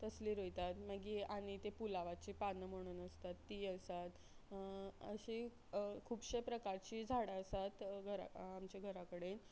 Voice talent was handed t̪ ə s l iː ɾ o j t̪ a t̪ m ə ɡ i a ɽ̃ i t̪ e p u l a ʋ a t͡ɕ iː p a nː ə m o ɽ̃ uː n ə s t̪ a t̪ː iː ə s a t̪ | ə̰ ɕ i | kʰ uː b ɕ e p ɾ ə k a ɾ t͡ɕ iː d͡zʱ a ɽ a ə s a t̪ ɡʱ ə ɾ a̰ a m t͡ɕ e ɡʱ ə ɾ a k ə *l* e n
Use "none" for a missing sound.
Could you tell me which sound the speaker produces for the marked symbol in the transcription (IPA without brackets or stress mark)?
ɽ